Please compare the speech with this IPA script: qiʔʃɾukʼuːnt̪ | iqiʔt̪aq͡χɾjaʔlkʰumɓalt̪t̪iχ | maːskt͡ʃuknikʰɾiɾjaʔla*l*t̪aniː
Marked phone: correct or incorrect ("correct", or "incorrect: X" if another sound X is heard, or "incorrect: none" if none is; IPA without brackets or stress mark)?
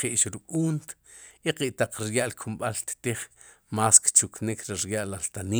correct